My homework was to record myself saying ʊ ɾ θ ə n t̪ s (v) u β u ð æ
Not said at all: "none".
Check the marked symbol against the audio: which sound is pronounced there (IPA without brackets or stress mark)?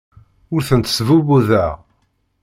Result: v